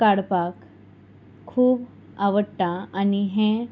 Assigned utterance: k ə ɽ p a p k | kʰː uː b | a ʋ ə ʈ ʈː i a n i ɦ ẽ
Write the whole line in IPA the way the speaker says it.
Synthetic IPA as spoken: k a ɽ p a k | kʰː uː b | a ʋ ə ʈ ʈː a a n i ɦ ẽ